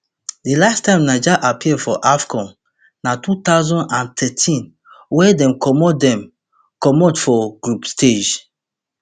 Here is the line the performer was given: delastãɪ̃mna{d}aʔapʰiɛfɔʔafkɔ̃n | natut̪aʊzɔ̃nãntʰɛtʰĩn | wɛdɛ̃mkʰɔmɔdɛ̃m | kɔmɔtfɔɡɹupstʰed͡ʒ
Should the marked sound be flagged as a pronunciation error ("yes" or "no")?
yes